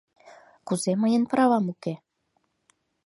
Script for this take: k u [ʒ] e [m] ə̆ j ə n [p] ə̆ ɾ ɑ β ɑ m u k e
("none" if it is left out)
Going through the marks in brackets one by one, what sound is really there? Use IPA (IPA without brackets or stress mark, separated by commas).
z, m, p